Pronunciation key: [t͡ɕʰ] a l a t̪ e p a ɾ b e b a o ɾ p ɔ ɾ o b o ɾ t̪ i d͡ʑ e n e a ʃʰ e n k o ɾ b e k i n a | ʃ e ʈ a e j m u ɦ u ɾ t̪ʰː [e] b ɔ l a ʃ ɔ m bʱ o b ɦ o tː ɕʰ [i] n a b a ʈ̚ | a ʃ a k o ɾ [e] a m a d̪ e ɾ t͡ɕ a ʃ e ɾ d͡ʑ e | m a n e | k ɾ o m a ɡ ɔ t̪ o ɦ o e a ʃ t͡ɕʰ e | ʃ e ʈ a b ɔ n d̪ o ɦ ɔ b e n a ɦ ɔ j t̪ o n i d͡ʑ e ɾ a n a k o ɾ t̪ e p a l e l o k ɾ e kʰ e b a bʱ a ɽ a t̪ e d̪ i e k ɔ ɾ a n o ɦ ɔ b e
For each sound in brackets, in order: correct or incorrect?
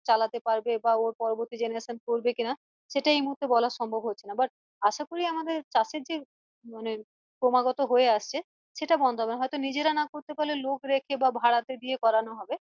incorrect, correct, incorrect, incorrect

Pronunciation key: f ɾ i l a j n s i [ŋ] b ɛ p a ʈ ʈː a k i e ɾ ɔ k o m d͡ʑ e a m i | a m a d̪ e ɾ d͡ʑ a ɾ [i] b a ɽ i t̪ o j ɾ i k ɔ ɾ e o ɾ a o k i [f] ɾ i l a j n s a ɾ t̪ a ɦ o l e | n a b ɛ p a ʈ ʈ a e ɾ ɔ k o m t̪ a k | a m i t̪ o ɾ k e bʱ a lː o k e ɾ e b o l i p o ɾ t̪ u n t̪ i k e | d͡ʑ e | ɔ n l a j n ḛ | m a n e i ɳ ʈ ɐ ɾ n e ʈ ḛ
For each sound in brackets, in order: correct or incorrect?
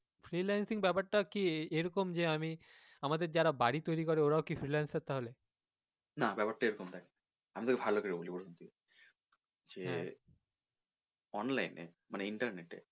correct, incorrect, correct

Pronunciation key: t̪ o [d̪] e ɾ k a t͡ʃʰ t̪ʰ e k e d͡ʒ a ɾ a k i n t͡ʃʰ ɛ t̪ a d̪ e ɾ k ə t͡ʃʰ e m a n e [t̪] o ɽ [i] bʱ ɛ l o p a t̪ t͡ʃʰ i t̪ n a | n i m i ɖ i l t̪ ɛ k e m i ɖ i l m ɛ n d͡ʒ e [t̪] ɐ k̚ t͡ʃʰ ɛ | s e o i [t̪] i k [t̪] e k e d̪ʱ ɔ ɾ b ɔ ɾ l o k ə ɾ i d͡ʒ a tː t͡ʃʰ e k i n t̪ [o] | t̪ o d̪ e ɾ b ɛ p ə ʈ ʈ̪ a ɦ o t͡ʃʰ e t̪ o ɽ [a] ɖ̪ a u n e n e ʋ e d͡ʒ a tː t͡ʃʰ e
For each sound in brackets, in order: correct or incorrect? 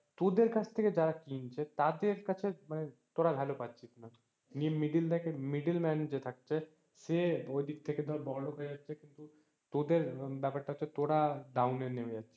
correct, correct, incorrect, incorrect, incorrect, incorrect, incorrect, correct

